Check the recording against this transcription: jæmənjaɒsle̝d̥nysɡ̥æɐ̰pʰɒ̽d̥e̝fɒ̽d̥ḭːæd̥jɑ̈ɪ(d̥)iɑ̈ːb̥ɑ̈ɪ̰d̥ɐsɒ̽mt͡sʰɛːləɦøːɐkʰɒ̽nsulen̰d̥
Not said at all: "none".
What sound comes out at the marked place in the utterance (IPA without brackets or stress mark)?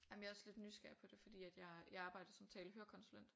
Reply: none